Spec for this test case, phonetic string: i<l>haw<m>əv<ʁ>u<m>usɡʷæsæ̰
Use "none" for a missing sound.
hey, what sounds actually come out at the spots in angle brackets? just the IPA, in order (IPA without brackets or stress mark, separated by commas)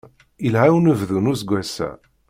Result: l, n, ð, n